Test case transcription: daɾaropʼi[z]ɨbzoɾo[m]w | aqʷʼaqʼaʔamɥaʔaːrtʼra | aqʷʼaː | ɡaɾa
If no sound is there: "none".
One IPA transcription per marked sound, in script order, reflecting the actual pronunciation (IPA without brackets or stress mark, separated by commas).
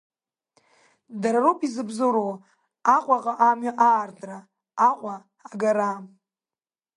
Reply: z, none